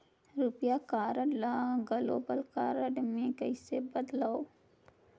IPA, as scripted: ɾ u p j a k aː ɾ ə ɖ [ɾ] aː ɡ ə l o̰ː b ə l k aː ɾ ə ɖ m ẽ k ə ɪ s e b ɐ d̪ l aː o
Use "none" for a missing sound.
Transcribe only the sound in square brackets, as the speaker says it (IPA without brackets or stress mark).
l